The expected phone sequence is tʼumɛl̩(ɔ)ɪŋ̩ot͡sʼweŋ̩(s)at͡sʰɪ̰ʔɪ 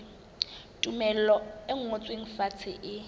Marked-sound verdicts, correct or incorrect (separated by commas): correct, incorrect